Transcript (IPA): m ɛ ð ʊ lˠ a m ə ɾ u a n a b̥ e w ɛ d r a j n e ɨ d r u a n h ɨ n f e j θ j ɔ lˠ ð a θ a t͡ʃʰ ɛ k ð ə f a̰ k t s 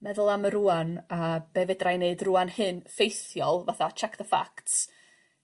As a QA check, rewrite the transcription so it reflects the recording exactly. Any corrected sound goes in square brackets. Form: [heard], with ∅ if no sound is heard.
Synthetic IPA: m ɛ ð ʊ lˠ a m ə ɾ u a n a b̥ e [v] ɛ d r a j n e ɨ d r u a n h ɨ n f e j θ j ɔ lˠ [v] a θ a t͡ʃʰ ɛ k ð ə f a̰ k t s